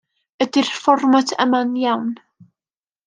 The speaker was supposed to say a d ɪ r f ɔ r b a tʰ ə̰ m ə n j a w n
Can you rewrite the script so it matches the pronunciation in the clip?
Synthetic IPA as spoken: ə d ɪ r f ɔ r m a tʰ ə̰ m a n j a w n